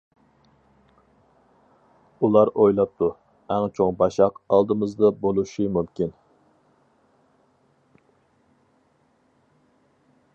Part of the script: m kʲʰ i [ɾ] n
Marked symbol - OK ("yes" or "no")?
no